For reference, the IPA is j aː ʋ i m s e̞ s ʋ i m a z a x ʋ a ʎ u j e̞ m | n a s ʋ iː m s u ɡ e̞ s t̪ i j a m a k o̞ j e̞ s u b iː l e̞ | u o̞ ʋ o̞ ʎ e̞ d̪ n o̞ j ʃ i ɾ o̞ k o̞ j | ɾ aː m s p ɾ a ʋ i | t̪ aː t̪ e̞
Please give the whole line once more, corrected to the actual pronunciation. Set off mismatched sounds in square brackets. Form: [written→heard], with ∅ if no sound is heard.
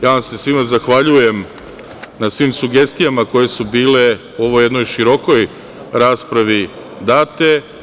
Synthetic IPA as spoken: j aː ʋ [i→a] m s e̞ s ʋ i m a z a x ʋ a ʎ u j e̞ m | n a s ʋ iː m s u ɡ e̞ s t̪ i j a m a k o̞ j e̞ s u b iː l e̞ | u o̞ ʋ o̞ [ʎ→j] e̞ d̪ n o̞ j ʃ i ɾ o̞ k o̞ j | ɾ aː [m→∅] s p ɾ a ʋ i | [t̪→d̪] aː t̪ e̞